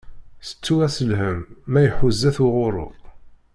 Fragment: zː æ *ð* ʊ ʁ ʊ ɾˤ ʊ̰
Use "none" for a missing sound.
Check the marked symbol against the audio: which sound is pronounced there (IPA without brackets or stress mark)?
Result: θ